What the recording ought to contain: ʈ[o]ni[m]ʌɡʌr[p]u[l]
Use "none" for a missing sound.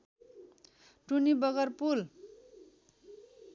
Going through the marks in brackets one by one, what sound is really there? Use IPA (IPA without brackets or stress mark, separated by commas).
u, b, p, l